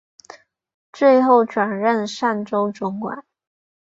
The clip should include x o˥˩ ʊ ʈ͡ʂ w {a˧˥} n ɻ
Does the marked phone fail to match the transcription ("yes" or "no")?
yes